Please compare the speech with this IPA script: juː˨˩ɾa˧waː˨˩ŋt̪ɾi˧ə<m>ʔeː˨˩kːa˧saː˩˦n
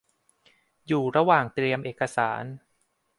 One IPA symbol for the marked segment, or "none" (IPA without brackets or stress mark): m